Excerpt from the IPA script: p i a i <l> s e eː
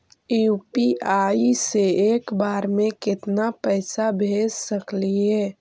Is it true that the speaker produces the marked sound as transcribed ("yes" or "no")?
no